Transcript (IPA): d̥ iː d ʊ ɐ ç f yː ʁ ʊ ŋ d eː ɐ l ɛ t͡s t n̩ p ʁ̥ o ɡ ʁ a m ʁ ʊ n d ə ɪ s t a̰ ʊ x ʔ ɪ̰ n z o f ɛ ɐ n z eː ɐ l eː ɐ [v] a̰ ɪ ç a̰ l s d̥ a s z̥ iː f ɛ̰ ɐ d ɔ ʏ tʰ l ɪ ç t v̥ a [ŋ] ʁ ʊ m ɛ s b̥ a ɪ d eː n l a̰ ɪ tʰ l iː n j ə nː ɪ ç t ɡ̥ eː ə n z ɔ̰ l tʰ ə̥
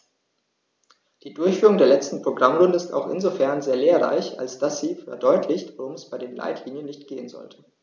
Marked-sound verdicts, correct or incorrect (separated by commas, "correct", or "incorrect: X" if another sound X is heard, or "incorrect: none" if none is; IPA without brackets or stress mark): incorrect: ʁ, incorrect: none